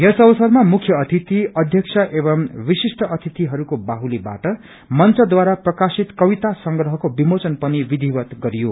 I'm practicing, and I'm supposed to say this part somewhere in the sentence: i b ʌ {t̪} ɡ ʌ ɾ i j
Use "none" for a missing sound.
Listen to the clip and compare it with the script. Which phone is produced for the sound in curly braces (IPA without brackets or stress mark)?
t̪